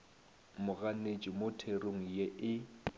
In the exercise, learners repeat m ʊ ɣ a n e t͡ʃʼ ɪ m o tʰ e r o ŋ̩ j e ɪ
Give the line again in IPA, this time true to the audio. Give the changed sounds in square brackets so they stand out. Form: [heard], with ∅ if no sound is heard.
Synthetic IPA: m ʊ ɣ a n e t͡ʃʼ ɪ m o tʰ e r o ŋ̩ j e ɪ